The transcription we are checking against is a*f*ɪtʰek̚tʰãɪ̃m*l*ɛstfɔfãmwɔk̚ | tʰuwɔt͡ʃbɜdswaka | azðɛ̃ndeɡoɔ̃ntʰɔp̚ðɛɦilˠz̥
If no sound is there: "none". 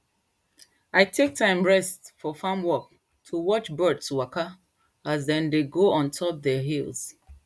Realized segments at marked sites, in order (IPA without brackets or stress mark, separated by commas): none, ɹ